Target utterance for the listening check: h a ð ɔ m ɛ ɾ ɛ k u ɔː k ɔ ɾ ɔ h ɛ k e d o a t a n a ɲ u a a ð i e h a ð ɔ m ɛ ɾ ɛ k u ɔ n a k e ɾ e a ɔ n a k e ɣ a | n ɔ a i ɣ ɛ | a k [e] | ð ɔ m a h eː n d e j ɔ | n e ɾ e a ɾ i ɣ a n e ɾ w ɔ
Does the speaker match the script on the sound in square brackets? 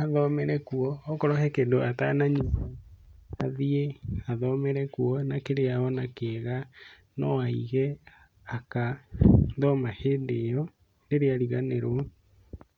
no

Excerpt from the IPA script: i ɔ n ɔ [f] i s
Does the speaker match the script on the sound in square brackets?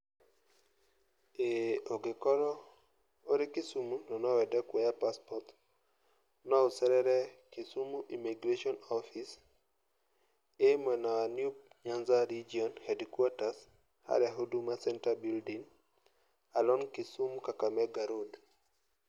yes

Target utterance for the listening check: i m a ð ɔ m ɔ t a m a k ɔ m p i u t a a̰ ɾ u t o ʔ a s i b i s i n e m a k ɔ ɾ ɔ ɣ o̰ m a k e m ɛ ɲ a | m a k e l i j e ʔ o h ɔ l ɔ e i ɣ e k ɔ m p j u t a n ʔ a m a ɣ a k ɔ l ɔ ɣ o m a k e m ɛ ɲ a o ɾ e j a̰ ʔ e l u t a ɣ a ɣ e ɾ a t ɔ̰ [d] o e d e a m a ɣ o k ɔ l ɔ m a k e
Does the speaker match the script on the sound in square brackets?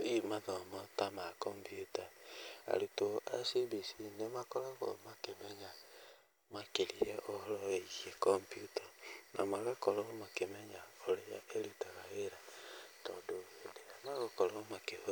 yes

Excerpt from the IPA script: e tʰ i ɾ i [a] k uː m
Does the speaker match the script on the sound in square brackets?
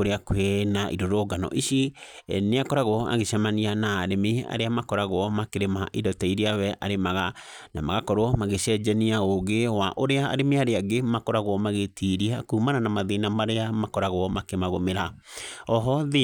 yes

